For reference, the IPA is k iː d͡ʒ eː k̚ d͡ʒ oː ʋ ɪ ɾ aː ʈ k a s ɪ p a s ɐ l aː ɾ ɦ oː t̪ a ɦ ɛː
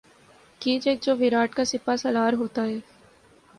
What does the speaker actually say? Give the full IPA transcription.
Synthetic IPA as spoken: k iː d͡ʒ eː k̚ d͡ʒ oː ʋ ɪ ɾ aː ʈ k a s ɪ p a s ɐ l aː ɾ ɦ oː t̪ a ɦ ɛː